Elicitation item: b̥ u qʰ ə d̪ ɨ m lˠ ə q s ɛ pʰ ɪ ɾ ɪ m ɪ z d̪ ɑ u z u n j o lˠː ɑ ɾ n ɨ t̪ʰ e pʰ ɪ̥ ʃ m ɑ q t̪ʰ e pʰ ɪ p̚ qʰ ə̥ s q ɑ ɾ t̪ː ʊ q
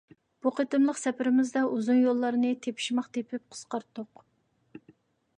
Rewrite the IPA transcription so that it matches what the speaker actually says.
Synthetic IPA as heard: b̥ u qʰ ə t̪ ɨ m lˠ ə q s ɛ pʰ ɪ ɾ ɪ m ɪ z d̪ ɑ u z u n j o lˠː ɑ ɾ n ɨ t̪ʰ e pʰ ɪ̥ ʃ m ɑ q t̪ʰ e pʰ ɪ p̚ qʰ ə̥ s q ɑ ɾ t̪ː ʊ q